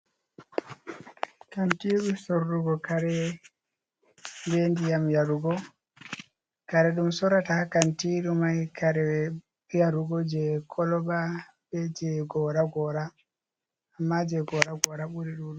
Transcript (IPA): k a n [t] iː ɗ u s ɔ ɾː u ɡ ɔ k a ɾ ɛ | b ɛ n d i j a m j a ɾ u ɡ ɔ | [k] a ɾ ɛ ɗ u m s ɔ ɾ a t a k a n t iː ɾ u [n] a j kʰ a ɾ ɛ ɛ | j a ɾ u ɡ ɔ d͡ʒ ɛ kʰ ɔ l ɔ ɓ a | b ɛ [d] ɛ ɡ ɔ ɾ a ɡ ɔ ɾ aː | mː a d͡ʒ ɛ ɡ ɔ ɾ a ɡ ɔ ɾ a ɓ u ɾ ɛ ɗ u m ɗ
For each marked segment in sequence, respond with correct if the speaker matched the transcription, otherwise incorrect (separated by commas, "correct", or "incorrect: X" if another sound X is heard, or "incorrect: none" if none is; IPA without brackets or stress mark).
correct, correct, incorrect: m, incorrect: d͡ʒ